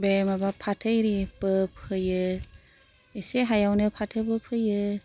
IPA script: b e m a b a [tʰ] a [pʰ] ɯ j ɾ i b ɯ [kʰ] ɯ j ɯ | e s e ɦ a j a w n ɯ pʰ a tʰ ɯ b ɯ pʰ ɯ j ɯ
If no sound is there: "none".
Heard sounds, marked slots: pʰ, tʰ, pʰ

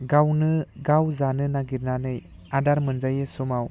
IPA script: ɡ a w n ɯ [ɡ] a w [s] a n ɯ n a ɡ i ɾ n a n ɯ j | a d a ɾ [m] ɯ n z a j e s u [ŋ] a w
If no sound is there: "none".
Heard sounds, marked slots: ɡ, z, m, m

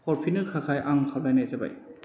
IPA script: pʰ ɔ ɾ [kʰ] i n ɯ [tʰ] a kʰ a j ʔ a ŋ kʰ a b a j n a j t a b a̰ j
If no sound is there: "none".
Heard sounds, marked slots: pʰ, kʰ

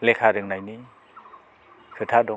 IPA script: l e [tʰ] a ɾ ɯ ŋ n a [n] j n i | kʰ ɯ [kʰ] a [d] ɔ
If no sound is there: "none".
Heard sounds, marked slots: kʰ, none, tʰ, d

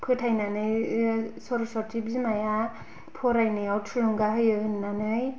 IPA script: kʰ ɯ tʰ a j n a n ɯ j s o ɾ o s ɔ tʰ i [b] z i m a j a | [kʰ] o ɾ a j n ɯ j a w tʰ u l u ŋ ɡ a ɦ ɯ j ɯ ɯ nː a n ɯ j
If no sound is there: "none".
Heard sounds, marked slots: b, pʰ

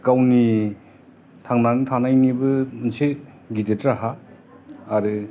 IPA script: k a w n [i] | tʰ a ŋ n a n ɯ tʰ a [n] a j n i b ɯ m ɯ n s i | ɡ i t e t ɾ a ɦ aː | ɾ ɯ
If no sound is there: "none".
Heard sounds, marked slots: i, n

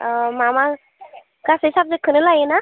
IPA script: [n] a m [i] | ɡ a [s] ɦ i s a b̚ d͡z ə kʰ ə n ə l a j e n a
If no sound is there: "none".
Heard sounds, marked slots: m, a, s

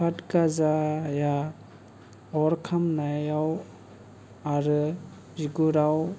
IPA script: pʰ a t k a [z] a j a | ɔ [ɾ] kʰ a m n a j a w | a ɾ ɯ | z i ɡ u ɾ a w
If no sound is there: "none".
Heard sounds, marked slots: z, ɾ

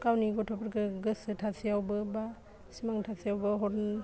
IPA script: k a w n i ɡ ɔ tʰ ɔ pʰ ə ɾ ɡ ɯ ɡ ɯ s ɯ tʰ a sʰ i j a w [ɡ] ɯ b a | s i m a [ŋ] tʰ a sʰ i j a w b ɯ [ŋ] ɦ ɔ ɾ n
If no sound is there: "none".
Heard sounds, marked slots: b, ŋ, none

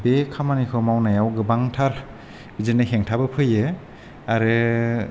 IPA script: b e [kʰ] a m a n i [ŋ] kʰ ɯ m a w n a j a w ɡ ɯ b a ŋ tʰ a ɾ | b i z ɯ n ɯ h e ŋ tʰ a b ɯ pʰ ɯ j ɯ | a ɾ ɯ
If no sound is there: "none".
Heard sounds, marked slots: kʰ, none

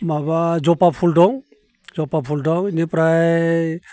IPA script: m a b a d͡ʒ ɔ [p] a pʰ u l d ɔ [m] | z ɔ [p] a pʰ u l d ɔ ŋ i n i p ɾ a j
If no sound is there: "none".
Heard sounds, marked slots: p, ŋ, p

